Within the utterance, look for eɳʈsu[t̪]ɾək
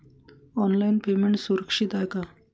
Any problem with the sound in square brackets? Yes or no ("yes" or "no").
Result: yes